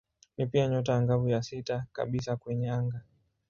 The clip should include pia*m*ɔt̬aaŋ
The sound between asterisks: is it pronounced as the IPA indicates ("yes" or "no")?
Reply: no